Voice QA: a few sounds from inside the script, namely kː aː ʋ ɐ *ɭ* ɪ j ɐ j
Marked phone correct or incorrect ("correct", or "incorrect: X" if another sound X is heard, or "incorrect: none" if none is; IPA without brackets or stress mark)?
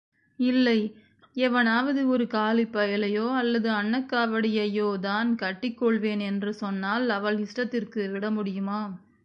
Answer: incorrect: ɽ